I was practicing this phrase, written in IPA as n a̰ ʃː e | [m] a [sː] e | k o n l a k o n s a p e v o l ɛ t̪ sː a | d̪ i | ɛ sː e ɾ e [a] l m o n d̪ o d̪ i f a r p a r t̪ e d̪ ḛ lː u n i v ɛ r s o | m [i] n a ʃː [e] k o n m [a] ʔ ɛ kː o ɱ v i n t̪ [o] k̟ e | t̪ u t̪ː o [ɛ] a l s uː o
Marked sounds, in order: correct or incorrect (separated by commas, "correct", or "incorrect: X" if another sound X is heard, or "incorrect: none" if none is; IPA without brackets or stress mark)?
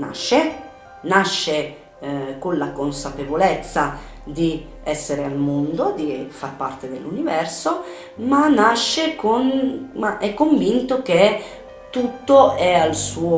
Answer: incorrect: n, incorrect: ʃː, correct, incorrect: a, correct, correct, correct, correct